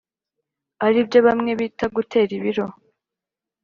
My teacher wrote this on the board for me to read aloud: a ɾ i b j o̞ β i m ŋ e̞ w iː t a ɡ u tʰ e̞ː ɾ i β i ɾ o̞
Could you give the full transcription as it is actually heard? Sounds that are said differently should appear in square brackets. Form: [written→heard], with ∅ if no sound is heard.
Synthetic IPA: a ɾ i b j o̞ β [i→a] m ŋ e̞ [w→β] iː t a ɡ u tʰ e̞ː ɾ i β i ɾ o̞